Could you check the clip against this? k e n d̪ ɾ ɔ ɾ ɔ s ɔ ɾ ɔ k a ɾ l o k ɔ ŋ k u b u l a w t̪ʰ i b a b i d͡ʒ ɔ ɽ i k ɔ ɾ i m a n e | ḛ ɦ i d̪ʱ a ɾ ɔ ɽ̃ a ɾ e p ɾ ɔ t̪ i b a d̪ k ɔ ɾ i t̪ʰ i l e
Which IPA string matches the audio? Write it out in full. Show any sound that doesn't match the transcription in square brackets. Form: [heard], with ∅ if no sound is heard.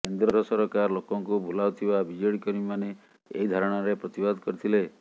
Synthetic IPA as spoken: k e n d̪ ɾ ɔ ɾ ɔ s ɔ ɾ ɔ k a ɾ l o k ɔ ŋ k u b u l a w t̪ʰ i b a b i d͡ʒ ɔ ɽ i k ɔ ɾ i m a n e | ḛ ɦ i d̪ʱ a ɾ ɔ ɽ̃ a ɾ e p ɾ ɔ t̪ i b a d̪ k ɔ ɾ i t̪ʰ i l e

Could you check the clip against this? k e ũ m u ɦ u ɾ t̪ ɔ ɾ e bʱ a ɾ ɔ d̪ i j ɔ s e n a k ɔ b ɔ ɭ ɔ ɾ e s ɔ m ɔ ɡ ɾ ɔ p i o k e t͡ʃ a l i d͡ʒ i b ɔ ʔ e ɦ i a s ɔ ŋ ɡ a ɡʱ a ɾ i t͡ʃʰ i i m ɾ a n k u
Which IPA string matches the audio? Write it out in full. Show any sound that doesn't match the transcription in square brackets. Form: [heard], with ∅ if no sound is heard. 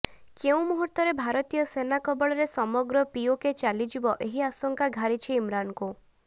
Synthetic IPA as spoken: k e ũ m u ɦ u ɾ t̪ ɔ ɾ e bʱ a ɾ ɔ [t̪] i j ɔ s e n a k ɔ b ɔ ɭ ɔ ɾ e s ɔ m ɔ ɡ ɾ ɔ p i o k e t͡ʃ a l i d͡ʒ i b ɔ ʔ e ɦ i a s ɔ ŋ [k] a ɡʱ a ɾ i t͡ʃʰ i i m ɾ a n k u

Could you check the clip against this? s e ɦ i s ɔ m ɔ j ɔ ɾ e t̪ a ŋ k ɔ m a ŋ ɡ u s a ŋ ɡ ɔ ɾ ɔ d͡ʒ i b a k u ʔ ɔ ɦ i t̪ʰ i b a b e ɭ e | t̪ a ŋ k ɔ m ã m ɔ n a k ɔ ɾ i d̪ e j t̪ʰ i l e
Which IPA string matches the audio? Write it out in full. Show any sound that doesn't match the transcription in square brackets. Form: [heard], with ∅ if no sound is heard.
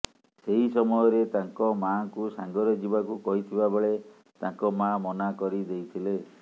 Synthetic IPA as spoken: s e ɦ i s ɔ m ɔ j ɔ ɾ e t̪ a ŋ k ɔ m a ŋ [k] u s a ŋ ɡ ɔ ɾ ɔ d͡ʒ i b a k u [k] ɔ ɦ i t̪ʰ i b a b e ɭ e | t̪ a ŋ k ɔ m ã m ɔ n a k ɔ ɾ i d̪ e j t̪ʰ i l e

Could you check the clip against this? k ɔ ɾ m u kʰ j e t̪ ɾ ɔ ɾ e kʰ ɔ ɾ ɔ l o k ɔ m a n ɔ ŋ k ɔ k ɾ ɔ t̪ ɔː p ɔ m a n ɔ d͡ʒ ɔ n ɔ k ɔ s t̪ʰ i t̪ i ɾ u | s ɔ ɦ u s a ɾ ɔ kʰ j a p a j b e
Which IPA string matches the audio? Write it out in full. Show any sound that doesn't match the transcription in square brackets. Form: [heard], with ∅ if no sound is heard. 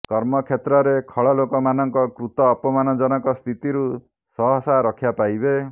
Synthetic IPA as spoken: k ɔ ɾ m [ɔ] kʰ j e t̪ ɾ ɔ ɾ e kʰ ɔ [ɭ] ɔ l o k ɔ m a n ɔ ŋ k ɔ k ɾ [u] t̪ ɔː p ɔ m a n ɔ d͡ʒ ɔ n ɔ k ɔ s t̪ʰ i t̪ i ɾ u | s ɔ ɦ [ɔ] s a ɾ ɔ kʰ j a p a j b e

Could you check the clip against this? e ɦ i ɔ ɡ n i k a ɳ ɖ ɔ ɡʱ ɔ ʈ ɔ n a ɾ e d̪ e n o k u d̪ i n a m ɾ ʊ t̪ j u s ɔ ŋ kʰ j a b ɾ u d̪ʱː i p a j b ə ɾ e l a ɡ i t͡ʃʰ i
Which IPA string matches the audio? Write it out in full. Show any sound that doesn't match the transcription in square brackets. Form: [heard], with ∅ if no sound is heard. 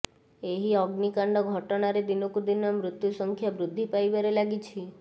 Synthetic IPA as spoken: e ɦ i ɔ ɡ n i k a ɳ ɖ ɔ ɡʱ ɔ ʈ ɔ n a ɾ e d̪ [i] n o k u d̪ i n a m ɾ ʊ t̪ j u s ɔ ŋ kʰ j a b ɾ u d̪ʱː i p a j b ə ɾ e l a ɡ i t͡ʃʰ i

